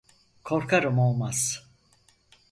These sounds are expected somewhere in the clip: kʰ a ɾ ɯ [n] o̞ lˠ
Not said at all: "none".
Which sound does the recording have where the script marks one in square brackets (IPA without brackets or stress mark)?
m